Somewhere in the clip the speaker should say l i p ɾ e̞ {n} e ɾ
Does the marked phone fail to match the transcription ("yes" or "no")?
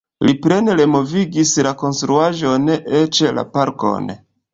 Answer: no